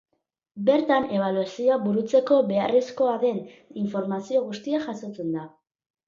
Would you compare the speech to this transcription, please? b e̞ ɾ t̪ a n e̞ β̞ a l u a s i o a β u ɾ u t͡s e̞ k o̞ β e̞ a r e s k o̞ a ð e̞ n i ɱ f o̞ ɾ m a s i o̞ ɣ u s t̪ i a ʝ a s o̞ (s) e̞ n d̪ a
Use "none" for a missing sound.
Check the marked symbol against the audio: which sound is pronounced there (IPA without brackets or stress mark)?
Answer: t͡s